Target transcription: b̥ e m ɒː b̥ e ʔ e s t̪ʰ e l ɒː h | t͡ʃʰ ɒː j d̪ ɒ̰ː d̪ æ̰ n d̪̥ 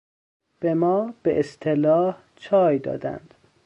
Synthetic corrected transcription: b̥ e m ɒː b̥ e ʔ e s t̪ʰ e l ɒː h | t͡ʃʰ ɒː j d̪ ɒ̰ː d̪ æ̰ n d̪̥

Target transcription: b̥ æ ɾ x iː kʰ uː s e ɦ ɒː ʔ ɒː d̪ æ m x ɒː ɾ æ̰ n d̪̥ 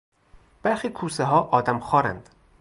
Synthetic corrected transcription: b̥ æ ɾ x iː kʰ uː s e ɦ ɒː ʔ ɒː d̪ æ m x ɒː ɾ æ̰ n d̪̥

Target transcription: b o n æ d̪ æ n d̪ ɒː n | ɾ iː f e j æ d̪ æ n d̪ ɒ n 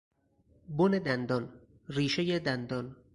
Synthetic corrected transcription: b o n e d̪ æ n d̪ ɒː n | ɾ iː ʃ e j e d̪ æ n d̪ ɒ n

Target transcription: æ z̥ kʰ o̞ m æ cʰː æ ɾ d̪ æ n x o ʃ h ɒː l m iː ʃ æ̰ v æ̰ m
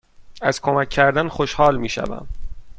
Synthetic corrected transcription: æ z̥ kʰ o̞ m æ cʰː æ ɾ d̪ æ n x o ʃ h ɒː l m iː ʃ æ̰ v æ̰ m

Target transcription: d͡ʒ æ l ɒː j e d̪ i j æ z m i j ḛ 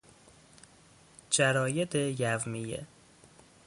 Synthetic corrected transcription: d͡ʒ æ ɾ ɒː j e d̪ e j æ v m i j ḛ

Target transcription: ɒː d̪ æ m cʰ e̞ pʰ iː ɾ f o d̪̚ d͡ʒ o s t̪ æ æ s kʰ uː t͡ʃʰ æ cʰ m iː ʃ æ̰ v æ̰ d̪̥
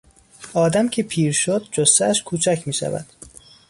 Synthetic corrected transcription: ɒː d̪ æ m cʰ e̞ pʰ iː ɾ ʃ o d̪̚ d͡ʒ o s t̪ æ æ ʃ kʰ uː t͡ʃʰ æ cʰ m iː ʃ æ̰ v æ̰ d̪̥

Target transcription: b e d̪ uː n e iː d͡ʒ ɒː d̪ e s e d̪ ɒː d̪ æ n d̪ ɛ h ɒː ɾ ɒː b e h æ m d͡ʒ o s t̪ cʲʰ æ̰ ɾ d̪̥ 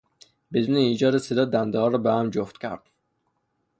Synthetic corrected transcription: b e d̪ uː n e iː d͡ʒ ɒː d̪ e s e d̪ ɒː d̪ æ n d̪ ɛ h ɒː ɾ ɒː b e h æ m d͡ʒ o f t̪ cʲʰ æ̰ ɾ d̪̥

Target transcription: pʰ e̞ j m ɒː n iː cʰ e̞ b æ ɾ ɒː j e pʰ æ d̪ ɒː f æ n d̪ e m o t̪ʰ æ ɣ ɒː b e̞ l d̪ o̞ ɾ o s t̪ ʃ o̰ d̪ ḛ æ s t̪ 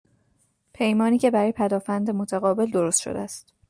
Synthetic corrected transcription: pʰ e̞ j m ɒː n iː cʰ e̞ b æ ɾ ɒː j e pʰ æ d̪ ɒː f æ n d̪ e m o t̪ʰ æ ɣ ɒː b e̞ l d̪ o̞ ɾ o s t̪ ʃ o̰ d̪ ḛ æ s t̪

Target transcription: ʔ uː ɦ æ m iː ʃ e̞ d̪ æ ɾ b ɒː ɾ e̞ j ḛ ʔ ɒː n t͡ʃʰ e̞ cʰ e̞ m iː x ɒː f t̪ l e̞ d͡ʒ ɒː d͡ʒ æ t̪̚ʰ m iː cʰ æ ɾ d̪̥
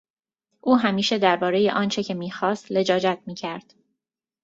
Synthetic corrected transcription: ʔ uː ɦ æ m iː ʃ e̞ d̪ æ ɾ b ɒː ɾ e̞ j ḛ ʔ ɒː n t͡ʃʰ e̞ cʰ e̞ m iː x ɒː s t̪ l e̞ d͡ʒ ɒː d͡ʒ æ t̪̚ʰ m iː cʰ æ ɾ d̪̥

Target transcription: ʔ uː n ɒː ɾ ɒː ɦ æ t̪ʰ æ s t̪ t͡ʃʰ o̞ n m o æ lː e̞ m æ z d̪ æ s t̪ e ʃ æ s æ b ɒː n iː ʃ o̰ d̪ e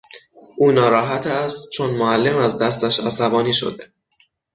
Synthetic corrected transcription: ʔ uː n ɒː ɾ ɒː ɦ æ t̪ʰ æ s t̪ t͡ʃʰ o̞ n m o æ lː e̞ m æ z d̪ æ s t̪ æ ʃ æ s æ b ɒː n iː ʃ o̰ d̪ e

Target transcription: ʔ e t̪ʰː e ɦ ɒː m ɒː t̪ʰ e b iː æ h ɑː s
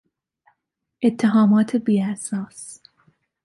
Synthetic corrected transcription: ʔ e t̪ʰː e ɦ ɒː m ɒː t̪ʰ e b iː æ s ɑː s

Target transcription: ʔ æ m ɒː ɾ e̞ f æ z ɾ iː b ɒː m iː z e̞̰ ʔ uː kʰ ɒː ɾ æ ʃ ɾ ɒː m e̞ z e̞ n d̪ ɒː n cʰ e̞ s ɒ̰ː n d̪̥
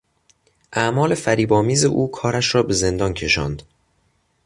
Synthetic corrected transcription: ʔ æ m ɒː l e̞ f æ ɾ iː b ɒː m iː z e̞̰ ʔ uː kʰ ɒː ɾ æ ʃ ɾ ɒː b e̞ z e̞ n d̪ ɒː n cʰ e̞ ʃ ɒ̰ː n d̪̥

